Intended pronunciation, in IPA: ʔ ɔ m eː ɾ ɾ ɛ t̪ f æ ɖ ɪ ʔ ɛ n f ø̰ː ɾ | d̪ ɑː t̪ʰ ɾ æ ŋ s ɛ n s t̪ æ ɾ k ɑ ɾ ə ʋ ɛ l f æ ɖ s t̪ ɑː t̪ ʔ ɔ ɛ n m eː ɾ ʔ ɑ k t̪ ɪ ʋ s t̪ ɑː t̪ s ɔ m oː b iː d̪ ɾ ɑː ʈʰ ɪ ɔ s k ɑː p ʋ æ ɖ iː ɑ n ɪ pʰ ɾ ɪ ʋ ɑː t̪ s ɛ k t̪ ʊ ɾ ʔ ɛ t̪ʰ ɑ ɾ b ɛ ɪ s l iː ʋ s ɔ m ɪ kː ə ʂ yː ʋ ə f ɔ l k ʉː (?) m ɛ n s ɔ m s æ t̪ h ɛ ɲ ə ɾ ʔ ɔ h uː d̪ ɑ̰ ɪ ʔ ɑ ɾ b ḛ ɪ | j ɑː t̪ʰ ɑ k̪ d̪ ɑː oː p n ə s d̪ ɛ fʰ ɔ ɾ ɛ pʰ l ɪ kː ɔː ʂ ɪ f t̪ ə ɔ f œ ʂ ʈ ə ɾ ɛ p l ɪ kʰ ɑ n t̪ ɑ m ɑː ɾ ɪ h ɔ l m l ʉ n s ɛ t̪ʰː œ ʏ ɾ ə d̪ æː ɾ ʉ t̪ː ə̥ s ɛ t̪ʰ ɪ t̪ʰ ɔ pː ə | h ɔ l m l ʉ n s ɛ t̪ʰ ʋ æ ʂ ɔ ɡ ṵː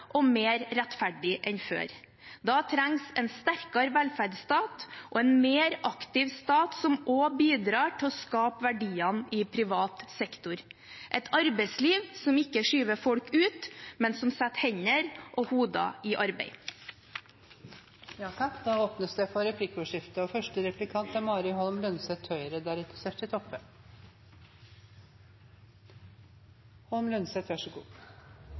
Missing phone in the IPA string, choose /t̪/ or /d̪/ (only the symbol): t̪